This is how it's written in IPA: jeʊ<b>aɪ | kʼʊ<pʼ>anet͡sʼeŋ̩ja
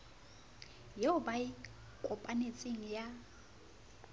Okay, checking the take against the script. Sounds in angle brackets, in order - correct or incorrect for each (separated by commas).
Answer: correct, correct